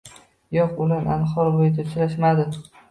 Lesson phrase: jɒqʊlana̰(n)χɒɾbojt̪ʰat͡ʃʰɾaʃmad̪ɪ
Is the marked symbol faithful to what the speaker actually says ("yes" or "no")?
yes